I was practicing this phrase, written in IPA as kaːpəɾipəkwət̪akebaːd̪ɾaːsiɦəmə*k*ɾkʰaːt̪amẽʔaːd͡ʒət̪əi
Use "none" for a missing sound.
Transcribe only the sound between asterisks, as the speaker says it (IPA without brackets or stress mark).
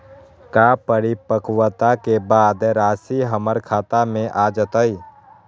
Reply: none